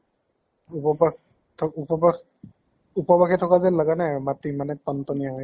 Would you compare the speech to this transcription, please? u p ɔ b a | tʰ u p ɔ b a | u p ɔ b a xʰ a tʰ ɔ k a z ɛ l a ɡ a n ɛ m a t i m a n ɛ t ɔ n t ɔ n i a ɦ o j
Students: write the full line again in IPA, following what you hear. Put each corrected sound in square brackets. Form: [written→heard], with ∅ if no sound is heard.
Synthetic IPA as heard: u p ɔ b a | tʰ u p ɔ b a | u p ɔ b a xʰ [a→ɛ] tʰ ɔ k a z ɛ l a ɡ a n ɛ m a t i m a n ɛ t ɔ n t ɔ n i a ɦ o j